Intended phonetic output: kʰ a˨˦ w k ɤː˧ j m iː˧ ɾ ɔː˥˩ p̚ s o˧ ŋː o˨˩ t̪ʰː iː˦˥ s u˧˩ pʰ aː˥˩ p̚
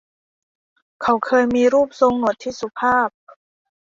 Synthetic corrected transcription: kʰ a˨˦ w kʰ ɤː˧ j m iː˧ ɾ uː˥˩ p̚ s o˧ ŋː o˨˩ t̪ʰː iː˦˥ s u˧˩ pʰ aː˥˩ p̚